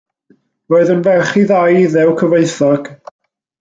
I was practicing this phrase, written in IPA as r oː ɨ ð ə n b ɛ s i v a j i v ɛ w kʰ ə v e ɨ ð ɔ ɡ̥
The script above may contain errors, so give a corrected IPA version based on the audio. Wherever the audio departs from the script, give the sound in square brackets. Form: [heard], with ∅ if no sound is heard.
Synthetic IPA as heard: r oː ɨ ð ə n [v] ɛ [χ] i [ð] a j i [ð] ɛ w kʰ ə v e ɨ [θ] ɔ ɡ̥